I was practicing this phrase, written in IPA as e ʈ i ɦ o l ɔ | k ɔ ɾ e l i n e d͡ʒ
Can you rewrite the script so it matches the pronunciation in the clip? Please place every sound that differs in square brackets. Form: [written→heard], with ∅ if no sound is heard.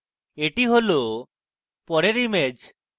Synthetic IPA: e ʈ i ɦ o l [ɔ→o] | [k→p] ɔ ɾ e [l→ɾ] i [n→m] e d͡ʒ